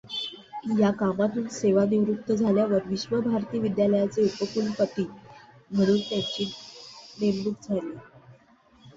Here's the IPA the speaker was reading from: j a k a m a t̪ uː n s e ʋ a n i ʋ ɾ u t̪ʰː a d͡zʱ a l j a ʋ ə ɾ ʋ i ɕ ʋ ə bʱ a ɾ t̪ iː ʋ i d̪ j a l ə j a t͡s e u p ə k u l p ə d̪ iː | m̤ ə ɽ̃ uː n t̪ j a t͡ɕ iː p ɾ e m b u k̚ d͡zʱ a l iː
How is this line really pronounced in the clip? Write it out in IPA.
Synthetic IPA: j a k a m a t̪ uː n s e ʋ a n i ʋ ɾ u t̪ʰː ə d͡zʱ a l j a ʋ ə ɾ ʋ i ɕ ʋ ə bʱ a ɾ t̪ iː ʋ i d̪ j a l ə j a t͡s e u p ə k u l p ə t̪ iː | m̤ ə ɽ̃ uː n t̪ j a t͡ɕ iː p ɾ e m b u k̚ d͡zʱ a l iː